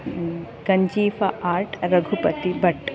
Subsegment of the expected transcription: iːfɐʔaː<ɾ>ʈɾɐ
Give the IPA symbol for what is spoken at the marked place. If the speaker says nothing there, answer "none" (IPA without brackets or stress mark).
ɾ